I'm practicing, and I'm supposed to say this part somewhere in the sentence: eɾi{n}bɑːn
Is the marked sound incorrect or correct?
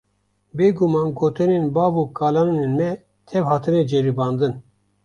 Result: incorrect